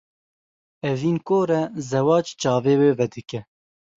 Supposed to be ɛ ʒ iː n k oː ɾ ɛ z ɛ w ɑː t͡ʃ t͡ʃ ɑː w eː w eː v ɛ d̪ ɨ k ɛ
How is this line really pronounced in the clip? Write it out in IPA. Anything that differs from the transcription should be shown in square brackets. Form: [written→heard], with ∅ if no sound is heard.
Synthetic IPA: ɛ [ʒ→v] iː n k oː ɾ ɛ z ɛ w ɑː t͡ʃ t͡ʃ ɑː [w→v] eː w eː v ɛ d̪ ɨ k ɛ

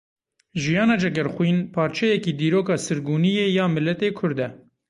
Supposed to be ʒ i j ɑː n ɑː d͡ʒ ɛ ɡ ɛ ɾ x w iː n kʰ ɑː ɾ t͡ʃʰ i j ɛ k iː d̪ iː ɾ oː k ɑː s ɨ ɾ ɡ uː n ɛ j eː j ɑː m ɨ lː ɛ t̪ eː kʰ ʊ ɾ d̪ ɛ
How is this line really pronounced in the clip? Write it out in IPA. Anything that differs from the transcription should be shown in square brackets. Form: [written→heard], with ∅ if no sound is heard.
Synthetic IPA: ʒ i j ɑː n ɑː d͡ʒ ɛ ɡ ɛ ɾ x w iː n [kʰ→pʰ] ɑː ɾ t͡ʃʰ [i→ɛ] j ɛ k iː d̪ iː ɾ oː k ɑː s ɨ ɾ ɡ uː n [ɛ→i] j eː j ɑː m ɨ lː ɛ t̪ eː kʰ ʊ ɾ d̪ ɛ

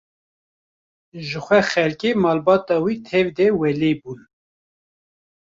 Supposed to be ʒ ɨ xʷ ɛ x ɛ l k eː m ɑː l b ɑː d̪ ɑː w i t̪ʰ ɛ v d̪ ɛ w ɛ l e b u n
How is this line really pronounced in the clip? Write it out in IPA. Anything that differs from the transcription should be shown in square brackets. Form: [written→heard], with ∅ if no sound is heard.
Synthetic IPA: ʒ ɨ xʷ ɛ x ɛ l k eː m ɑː l b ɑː [d̪→t̪] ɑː w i t̪ʰ ɛ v d̪ ɛ w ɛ l e b u n

